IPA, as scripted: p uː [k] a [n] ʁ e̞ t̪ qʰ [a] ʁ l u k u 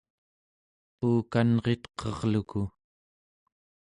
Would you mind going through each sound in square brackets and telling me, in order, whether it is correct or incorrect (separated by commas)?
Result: correct, correct, incorrect